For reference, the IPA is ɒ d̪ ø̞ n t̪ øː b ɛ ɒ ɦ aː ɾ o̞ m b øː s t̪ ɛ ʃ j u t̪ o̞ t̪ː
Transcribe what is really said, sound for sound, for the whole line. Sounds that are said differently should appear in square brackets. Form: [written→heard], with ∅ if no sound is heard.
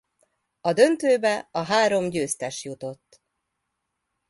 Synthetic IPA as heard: ɒ d̪ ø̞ n t̪ øː b ɛ ɒ ɦ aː ɾ o̞ m [b→ɟ] øː s t̪ ɛ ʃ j u t̪ o̞ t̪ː